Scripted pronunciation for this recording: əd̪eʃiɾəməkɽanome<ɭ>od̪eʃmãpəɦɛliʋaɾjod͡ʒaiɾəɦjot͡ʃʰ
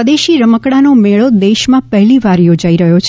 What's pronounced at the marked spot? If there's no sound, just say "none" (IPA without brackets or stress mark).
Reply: ɭ